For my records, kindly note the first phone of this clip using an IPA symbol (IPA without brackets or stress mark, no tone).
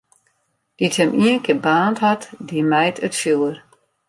d̥